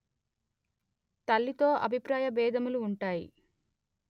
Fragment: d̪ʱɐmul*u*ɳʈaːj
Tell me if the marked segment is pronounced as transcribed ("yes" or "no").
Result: no